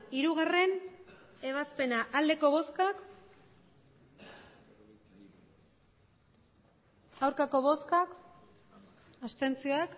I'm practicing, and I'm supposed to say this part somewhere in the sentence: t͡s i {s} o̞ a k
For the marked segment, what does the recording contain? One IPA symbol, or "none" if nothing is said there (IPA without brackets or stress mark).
none